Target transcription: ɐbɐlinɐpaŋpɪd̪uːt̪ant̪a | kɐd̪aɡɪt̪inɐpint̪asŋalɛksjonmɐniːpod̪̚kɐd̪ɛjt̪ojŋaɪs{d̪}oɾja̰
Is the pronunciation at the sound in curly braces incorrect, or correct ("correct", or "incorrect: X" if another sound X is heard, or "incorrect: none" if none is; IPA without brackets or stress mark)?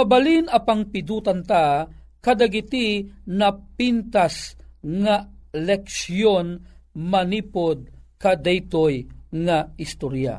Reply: incorrect: t̪